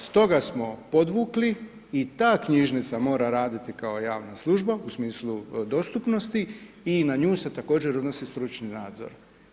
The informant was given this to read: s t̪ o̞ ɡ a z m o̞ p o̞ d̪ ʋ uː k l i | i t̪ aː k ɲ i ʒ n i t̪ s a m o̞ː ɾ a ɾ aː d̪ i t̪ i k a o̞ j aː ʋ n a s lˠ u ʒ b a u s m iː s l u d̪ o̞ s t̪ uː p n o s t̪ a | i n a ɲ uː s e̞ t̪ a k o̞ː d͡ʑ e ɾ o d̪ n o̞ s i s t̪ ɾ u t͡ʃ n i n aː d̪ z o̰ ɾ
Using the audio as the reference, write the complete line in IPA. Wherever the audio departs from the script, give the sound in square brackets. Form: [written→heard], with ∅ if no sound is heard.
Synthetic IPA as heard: s t̪ o̞ ɡ a [z→s] m o̞ p o̞ d̪ ʋ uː k l i | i t̪ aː k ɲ i ʒ n i t̪ s a m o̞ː ɾ a ɾ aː d̪ i t̪ i k a o̞ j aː ʋ n a s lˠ u ʒ b a u s m iː s l u d̪ o̞ s t̪ [uː→u] p n o s t̪ [a→i] | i n a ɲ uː s e̞ t̪ a k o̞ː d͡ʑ e ɾ o d̪ n o̞ s i s t̪ ɾ u t͡ʃ n i n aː d̪ z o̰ ɾ